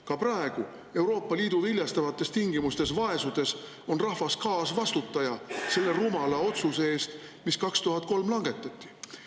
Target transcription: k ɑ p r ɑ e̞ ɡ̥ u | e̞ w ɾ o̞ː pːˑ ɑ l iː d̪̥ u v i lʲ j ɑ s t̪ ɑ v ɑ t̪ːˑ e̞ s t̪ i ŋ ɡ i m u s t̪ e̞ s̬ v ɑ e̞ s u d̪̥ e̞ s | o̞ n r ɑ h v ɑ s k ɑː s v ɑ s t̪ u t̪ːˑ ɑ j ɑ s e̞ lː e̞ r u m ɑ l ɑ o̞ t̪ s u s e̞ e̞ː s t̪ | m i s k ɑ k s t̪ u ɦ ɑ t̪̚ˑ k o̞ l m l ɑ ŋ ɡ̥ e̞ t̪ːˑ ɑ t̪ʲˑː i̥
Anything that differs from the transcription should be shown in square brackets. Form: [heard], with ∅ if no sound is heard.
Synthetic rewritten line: k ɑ p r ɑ e̞ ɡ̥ u | e̞ w ɾ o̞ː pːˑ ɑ l iː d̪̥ u v i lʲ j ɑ s t̪ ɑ v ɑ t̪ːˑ e̞ s t̪ i ŋ ɡ i m u s t̪ e̞ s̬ v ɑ e̞ s u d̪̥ e̞ s | o̞ n r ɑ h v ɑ s k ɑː s v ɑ s t̪ u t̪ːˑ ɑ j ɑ s e̞ lː e̞ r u m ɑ l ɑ o̞ t̪ s u s e̞ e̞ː s t̪ | m i s k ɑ k s t̪ u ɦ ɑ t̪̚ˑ k o̞ l m l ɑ ŋ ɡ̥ e̞ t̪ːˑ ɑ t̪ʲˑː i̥